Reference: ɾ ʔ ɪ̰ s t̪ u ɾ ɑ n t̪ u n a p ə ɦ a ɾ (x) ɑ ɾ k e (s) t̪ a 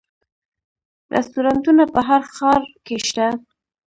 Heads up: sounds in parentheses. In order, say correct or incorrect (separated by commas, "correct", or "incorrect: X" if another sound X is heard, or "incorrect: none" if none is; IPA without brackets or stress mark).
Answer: correct, incorrect: ʃ